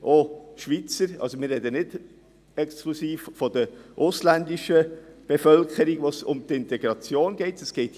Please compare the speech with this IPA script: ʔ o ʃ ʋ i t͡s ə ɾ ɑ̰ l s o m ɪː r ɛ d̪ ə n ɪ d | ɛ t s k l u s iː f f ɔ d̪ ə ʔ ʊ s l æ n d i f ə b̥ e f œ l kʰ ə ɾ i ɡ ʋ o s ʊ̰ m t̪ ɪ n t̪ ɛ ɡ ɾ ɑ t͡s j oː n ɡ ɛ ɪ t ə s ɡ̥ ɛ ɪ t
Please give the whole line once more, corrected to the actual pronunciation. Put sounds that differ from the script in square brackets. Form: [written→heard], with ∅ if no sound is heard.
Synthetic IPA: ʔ o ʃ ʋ i t͡s ə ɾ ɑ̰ l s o m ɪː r ɛ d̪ ə n ɪ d | ɛ [t→k] s k l u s iː f f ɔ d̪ ə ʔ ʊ s l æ n d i [f→ʃ] ə b̥ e f œ l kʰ ə ɾ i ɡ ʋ o s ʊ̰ m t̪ ɪ n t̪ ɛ ɡ ɾ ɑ t͡s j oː n ɡ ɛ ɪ t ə s ɡ̥ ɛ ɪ t